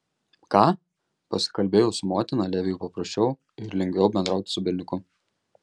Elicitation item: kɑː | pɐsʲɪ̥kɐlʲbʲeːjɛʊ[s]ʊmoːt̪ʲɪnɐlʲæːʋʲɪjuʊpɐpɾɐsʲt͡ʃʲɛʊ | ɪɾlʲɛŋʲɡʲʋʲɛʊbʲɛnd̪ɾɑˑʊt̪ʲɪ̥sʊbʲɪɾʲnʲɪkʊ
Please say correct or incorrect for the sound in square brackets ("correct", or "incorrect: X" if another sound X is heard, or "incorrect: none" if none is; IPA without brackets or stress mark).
correct